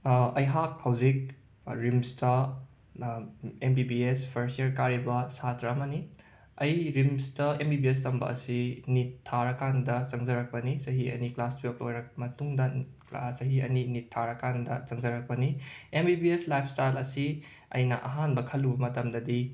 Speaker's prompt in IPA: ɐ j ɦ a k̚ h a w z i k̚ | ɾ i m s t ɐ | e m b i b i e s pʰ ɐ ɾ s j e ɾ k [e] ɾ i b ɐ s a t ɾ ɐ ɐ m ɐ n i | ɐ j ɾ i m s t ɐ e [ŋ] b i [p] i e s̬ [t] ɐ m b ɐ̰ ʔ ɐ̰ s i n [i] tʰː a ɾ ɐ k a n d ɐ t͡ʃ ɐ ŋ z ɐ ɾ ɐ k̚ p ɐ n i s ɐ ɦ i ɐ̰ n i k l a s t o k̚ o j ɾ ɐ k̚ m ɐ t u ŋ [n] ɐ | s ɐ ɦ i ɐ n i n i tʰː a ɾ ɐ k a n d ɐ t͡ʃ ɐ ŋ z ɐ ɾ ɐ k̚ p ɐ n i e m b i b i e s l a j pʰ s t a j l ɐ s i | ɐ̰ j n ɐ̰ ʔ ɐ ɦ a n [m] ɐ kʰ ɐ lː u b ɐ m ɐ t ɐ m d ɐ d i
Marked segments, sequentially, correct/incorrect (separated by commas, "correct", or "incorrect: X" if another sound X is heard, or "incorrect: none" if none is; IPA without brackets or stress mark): incorrect: a, incorrect: m, incorrect: b, correct, correct, incorrect: d, incorrect: b